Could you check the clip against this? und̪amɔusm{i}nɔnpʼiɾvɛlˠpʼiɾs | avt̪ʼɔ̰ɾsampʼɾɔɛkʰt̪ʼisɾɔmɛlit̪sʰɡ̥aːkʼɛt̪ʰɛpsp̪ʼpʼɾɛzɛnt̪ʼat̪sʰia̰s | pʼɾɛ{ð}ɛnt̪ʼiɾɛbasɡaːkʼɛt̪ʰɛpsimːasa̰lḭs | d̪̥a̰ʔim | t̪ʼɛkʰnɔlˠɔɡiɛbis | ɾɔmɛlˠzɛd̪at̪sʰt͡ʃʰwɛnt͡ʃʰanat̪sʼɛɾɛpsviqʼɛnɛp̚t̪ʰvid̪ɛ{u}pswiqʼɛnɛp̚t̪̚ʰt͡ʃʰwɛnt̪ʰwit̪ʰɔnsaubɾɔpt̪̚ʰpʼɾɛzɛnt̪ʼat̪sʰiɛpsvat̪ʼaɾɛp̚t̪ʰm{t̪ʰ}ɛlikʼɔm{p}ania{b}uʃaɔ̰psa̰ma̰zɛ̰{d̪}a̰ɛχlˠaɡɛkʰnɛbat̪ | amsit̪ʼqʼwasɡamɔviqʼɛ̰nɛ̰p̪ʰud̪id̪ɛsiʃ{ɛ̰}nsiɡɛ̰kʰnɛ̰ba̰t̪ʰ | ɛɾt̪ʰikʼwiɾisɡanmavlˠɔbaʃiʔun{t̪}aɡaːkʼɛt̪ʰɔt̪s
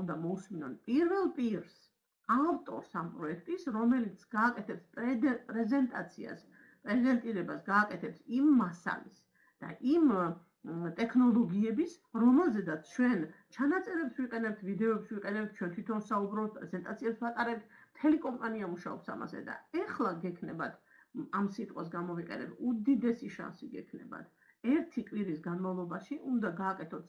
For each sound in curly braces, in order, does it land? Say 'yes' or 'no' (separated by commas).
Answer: yes, no, no, yes, no, no, yes, no, no